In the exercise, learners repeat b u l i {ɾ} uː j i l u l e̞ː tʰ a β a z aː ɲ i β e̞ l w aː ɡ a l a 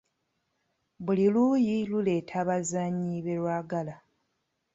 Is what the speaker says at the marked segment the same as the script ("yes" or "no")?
no